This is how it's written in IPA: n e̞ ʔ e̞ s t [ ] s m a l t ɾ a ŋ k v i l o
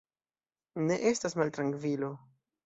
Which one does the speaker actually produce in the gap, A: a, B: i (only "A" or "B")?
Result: A